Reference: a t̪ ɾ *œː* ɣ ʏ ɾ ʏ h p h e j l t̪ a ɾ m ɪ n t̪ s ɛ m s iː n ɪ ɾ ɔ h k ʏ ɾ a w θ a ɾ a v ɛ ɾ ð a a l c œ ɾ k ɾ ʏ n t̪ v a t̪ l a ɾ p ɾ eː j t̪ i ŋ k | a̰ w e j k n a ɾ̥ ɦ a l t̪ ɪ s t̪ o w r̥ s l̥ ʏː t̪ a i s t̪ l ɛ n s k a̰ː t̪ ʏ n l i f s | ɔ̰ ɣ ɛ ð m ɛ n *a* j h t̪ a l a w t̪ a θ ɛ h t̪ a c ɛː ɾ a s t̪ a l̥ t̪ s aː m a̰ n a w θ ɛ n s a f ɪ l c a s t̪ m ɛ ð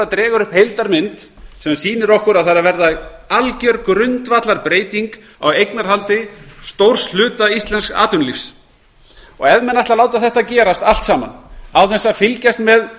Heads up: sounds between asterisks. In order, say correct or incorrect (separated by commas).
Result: incorrect, correct